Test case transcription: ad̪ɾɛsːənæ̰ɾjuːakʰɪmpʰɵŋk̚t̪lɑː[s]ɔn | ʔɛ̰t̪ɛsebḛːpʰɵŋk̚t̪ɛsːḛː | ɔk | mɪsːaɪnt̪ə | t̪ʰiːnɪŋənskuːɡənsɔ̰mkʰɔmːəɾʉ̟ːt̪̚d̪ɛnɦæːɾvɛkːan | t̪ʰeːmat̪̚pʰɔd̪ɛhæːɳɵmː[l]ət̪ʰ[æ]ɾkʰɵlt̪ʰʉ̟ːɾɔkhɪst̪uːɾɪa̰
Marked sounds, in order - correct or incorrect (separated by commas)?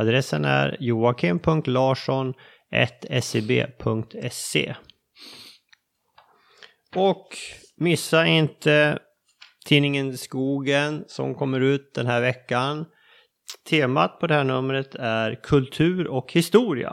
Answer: incorrect, incorrect, correct